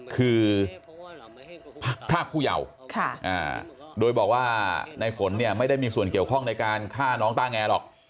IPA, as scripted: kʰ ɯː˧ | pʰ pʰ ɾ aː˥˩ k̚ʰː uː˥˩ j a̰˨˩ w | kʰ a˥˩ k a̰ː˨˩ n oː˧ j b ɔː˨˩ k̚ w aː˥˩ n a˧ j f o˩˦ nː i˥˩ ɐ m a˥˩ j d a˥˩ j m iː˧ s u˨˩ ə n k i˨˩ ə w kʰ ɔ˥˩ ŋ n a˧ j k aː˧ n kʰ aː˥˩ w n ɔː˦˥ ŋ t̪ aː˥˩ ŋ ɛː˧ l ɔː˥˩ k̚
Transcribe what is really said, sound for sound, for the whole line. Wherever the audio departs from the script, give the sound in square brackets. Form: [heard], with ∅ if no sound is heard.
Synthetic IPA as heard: kʰ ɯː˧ | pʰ pʰ ɾ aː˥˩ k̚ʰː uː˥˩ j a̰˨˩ w | kʰ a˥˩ [ʔ] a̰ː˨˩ [d] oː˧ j b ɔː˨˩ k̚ w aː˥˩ n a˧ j f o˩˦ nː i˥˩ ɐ m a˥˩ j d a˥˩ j m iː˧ s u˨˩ ə n k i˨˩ ə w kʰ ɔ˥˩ ŋ n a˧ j k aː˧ n kʰ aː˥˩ [∅] n ɔː˦˥ ŋ t̪ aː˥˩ ŋ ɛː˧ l [ɔː˨˩] k̚